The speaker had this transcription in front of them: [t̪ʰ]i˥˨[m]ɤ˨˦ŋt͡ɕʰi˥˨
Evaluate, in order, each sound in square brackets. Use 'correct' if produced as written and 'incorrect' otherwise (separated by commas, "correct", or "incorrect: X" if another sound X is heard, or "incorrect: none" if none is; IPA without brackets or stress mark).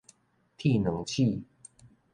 correct, incorrect: n